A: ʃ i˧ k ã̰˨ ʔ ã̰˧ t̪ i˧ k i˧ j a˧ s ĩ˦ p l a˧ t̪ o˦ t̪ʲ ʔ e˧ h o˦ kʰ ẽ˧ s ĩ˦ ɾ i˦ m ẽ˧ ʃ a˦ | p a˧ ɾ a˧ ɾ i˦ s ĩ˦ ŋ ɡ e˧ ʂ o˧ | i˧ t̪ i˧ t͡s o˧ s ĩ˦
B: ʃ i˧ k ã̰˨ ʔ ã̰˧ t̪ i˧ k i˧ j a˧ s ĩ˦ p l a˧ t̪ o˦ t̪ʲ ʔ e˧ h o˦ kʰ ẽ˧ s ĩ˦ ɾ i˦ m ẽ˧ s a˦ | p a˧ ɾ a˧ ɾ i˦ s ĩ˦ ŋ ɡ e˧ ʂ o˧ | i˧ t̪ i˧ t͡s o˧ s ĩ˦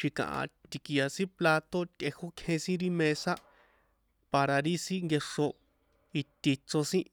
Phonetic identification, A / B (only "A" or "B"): B